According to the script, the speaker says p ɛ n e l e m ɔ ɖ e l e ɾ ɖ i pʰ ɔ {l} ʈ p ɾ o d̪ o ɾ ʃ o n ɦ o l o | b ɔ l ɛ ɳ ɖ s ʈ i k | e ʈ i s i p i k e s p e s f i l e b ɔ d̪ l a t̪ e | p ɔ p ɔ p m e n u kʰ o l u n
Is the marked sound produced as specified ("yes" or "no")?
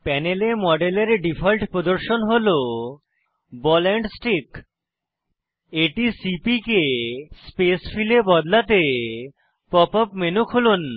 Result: yes